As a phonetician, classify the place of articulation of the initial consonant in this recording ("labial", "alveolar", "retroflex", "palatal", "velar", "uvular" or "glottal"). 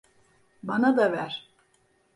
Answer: labial